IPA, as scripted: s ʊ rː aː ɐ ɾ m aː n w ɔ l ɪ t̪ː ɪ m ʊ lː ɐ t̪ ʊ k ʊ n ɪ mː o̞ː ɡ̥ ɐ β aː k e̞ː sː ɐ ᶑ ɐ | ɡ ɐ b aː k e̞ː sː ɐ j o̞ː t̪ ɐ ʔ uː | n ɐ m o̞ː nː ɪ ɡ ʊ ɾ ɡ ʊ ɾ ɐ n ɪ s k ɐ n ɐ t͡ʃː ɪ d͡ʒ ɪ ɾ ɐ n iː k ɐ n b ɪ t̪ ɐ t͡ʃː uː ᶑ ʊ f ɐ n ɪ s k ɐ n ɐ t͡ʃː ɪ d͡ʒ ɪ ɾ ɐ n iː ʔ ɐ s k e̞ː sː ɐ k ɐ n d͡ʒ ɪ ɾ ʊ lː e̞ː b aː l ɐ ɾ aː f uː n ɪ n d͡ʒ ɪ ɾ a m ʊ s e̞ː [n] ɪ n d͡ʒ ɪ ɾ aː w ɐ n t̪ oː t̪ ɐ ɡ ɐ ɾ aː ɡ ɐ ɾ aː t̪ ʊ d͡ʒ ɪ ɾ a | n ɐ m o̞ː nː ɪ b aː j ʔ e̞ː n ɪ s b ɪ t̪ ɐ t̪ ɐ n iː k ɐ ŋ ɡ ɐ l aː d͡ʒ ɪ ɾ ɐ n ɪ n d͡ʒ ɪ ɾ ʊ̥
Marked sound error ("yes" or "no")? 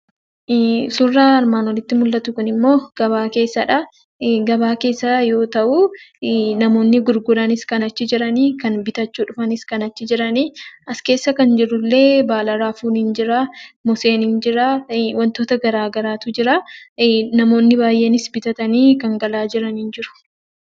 no